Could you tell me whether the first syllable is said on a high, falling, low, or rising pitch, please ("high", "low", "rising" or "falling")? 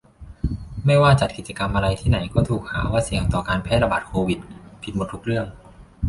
falling